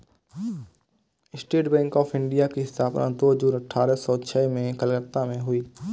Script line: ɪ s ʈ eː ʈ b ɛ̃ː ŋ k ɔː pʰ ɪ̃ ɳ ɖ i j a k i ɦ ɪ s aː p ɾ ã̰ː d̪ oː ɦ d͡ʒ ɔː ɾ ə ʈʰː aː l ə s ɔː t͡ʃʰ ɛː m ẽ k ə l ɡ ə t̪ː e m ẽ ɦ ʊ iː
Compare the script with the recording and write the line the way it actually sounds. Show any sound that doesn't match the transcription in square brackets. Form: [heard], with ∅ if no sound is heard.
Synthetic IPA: ɪ s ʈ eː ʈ b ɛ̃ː ŋ k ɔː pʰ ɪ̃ ɳ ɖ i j a k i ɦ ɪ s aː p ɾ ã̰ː d̪ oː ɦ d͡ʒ [uː] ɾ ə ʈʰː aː [ɾ] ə s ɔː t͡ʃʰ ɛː m ẽ k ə l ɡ ə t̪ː [a] m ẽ ɦ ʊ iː